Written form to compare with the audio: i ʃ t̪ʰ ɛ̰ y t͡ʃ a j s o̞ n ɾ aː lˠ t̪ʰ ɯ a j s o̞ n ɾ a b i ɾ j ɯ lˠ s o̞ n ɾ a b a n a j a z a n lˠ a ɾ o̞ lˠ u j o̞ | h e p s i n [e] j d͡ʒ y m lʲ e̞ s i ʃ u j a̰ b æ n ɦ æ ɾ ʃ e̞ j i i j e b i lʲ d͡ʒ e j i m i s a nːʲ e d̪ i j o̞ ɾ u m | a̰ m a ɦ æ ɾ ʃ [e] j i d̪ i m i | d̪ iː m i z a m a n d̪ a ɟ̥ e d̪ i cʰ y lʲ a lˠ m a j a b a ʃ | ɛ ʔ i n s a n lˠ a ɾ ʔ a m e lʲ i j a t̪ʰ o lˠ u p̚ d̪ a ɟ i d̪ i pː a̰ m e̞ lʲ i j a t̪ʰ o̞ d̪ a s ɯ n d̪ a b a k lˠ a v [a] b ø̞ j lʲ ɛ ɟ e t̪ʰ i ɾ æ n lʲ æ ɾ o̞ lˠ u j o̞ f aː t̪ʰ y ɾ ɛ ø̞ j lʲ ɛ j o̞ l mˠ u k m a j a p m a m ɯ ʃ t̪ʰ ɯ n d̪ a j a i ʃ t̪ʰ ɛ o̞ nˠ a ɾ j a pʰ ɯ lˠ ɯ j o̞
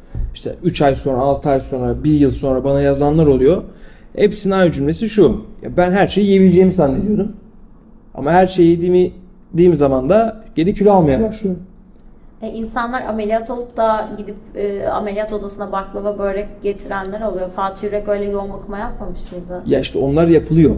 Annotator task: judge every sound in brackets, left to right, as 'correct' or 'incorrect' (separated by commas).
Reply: incorrect, correct, correct